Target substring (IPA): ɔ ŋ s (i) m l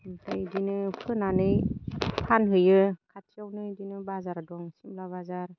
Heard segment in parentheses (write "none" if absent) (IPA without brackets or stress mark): i